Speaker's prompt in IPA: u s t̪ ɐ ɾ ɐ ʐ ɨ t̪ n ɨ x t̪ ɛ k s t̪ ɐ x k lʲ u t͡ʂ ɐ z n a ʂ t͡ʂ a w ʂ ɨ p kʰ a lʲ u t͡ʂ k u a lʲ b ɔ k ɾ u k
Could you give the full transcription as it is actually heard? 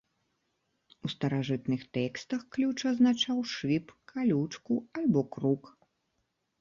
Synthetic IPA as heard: u s t̪ ɐ ɾ a ʐ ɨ t̪ n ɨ x t̪ ɛ k s t̪ ɐ x k lʲ u t͡ʂ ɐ z n a t͡ʂ a w ʂ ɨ p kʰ a lʲ u t͡ʂ k u a lʲ b ɔ k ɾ u k